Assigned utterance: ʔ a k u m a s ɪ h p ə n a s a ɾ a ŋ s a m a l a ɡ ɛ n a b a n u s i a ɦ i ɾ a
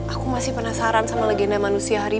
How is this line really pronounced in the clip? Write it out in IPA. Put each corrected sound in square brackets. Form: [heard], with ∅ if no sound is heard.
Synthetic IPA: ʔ a k u m a s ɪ h p ə n a s a ɾ a [n] s a m a l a ɡ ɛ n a [m] a n u s i a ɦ [a] ɾ [i]